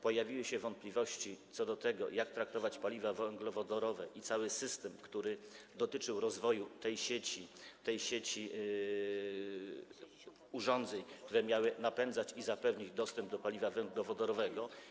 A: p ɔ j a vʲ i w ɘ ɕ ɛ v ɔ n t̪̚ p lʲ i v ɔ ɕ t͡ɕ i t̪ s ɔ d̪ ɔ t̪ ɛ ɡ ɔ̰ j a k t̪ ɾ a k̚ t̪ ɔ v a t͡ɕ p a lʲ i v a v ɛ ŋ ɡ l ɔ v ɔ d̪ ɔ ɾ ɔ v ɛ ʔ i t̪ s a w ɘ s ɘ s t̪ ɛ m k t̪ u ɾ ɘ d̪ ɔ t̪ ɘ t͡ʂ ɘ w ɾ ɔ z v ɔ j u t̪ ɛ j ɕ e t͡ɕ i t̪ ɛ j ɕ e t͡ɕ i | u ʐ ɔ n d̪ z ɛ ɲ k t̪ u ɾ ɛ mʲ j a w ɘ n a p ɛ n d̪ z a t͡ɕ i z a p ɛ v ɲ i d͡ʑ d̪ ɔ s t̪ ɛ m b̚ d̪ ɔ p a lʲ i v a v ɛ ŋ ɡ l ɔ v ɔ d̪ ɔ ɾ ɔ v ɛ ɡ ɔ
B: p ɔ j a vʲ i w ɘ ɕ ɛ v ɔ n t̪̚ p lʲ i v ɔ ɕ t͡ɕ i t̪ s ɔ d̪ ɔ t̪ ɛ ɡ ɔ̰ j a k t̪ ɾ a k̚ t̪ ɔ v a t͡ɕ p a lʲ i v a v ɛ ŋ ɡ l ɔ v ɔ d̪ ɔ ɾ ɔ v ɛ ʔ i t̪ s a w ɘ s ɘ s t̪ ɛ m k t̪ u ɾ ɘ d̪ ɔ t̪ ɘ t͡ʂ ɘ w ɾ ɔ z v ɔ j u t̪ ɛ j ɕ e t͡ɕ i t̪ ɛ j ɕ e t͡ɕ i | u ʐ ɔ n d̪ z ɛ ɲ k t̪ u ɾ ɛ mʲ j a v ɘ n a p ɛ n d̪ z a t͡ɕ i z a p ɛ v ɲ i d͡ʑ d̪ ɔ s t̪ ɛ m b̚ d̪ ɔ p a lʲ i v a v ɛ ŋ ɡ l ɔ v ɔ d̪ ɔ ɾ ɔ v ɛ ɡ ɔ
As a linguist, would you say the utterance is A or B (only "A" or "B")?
A